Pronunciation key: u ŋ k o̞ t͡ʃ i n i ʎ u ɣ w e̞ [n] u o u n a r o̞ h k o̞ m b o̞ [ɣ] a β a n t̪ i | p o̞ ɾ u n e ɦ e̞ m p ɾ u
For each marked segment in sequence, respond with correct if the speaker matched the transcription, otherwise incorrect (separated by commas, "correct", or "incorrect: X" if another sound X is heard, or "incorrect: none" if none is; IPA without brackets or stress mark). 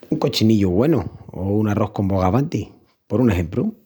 correct, correct